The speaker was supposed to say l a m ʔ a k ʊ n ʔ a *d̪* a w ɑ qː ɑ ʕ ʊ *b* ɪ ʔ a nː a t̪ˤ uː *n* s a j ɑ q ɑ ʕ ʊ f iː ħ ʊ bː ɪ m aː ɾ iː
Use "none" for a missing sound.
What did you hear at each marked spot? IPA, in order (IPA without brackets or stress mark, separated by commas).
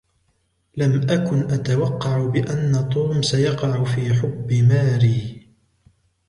t̪, b, m